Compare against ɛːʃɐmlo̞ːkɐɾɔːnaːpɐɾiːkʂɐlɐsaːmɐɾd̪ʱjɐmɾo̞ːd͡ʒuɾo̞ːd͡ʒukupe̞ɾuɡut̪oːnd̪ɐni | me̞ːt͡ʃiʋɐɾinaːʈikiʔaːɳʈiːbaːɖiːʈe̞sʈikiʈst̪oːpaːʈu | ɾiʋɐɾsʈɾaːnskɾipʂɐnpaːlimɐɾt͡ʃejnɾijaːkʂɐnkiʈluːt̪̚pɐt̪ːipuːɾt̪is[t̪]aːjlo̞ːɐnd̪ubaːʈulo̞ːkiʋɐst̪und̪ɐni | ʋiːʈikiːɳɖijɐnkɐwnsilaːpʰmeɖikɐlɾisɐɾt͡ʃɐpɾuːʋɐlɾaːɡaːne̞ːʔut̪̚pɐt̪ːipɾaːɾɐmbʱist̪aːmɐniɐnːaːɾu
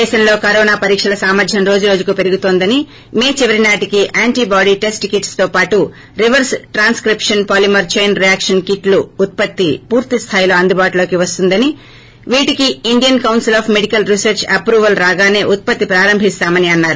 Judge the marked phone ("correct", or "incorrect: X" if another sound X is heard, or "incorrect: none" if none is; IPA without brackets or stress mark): incorrect: t̪ʰ